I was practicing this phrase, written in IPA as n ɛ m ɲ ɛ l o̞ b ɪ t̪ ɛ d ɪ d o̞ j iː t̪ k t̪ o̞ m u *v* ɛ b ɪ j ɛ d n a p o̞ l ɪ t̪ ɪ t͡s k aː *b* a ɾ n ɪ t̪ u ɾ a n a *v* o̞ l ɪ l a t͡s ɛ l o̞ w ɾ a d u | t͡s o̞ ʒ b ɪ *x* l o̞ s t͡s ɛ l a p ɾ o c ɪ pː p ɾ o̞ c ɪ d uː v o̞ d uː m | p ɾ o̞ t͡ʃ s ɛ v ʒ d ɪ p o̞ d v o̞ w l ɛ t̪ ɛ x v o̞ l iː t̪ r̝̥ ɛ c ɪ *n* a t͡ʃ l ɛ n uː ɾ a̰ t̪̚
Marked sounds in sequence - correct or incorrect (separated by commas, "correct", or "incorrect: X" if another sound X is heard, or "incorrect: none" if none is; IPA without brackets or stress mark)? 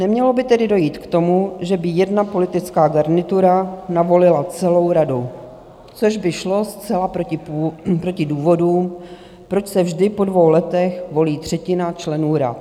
incorrect: ʒ, incorrect: ɡ, correct, incorrect: ʃ, correct